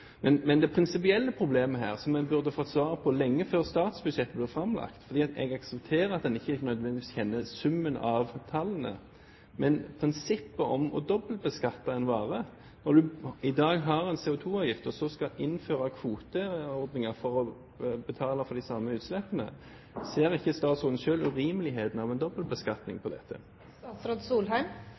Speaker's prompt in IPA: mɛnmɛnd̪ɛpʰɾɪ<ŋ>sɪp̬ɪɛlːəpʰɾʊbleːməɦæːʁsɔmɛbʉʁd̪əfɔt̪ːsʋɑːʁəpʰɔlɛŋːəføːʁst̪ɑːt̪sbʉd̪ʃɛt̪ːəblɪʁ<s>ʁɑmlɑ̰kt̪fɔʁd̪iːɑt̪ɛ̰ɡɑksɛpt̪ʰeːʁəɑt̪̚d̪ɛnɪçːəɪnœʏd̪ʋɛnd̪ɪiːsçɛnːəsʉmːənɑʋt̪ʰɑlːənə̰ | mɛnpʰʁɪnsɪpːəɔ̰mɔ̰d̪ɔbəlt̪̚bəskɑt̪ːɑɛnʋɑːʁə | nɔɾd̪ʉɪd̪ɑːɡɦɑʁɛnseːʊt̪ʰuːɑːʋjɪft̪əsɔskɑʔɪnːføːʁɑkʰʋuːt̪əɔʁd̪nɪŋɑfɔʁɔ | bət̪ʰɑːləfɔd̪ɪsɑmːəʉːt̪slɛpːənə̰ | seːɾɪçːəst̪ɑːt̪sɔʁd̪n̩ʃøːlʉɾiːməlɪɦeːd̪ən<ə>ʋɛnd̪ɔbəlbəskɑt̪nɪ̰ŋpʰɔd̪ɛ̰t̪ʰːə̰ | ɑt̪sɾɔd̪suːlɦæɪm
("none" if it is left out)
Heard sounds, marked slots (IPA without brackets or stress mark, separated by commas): n, f, ɑ